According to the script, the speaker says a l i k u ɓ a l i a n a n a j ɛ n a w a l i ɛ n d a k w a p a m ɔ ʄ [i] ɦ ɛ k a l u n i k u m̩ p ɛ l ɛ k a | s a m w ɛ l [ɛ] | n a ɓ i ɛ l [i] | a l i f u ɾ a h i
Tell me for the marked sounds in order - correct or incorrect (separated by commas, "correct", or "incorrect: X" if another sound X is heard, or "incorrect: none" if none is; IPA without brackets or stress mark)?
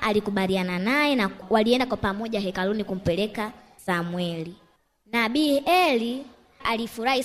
incorrect: a, incorrect: i, correct